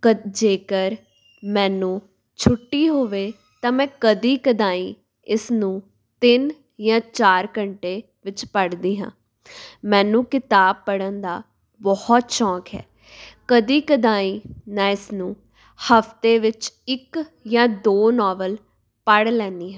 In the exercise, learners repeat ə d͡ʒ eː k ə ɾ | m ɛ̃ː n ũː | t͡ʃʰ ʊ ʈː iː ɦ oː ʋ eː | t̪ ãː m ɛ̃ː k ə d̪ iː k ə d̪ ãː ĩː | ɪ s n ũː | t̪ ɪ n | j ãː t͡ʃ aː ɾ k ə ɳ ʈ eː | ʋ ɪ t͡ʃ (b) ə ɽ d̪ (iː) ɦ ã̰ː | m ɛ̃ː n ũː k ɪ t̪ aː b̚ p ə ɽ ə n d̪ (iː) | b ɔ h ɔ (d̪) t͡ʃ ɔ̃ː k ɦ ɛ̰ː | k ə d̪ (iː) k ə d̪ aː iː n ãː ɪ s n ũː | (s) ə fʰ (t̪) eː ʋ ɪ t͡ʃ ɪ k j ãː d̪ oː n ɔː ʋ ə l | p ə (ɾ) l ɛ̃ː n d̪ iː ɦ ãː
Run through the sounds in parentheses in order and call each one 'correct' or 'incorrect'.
incorrect: p, correct, incorrect: aː, incorrect: t̪, correct, incorrect: h, correct, incorrect: ɽ

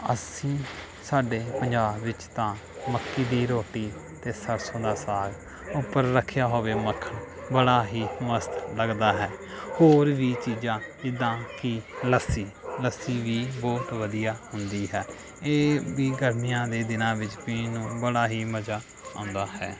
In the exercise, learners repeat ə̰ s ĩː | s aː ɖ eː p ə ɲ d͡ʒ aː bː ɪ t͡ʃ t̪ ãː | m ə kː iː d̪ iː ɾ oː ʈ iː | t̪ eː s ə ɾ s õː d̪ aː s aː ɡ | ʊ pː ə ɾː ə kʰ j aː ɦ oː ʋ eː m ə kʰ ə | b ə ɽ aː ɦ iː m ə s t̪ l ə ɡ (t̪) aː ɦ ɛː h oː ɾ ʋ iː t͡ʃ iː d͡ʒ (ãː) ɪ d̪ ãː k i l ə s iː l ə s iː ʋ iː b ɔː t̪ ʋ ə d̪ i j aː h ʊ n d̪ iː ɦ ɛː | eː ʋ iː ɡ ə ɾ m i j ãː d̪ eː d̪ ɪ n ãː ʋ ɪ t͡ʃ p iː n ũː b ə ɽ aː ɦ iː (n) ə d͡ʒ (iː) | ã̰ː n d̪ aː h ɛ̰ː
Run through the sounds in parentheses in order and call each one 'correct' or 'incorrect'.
incorrect: d̪, correct, incorrect: m, incorrect: aː

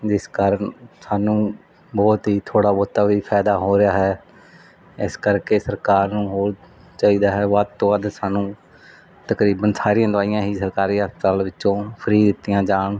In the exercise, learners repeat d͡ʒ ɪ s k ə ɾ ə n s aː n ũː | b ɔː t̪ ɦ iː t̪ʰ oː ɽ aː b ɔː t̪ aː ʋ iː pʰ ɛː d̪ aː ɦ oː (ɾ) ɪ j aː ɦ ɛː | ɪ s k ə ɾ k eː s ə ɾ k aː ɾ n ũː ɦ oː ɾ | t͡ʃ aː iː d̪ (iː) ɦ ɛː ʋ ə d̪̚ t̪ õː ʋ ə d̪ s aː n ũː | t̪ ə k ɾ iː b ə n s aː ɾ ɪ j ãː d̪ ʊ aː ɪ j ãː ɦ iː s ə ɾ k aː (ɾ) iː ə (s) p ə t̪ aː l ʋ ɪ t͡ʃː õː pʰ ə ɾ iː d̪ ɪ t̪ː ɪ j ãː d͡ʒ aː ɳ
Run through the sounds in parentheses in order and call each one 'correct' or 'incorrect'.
correct, incorrect: aː, correct, correct

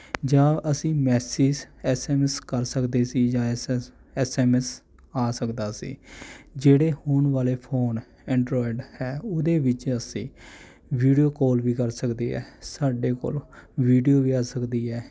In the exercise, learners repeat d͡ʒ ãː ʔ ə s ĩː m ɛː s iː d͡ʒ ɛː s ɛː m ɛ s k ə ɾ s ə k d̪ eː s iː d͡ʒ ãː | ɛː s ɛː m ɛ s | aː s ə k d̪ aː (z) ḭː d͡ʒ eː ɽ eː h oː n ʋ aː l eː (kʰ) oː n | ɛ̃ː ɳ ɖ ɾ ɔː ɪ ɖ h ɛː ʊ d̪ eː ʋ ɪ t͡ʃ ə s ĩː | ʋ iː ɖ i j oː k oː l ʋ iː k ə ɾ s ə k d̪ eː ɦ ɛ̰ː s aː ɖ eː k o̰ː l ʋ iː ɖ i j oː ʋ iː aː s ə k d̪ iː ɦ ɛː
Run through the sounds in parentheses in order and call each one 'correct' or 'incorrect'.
incorrect: s, incorrect: pʰ

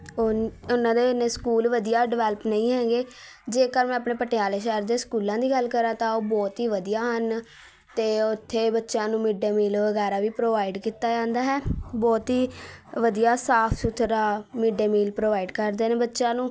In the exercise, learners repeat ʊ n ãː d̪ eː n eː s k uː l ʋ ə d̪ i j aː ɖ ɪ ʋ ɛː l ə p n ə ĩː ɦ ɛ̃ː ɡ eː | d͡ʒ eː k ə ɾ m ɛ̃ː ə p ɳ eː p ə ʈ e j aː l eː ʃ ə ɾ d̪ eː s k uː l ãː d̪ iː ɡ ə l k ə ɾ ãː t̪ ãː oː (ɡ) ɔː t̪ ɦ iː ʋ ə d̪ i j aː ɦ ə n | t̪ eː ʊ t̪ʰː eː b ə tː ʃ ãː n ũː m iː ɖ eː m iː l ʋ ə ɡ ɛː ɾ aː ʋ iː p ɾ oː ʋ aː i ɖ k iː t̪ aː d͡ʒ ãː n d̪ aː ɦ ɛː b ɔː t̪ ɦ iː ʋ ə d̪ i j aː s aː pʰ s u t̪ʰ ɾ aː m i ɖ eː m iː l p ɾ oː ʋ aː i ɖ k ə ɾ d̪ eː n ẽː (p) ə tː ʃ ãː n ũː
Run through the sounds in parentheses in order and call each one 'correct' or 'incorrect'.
incorrect: b, incorrect: b

